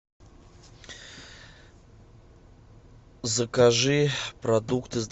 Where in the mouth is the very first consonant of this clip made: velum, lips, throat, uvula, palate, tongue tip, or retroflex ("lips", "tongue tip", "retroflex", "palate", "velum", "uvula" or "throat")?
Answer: tongue tip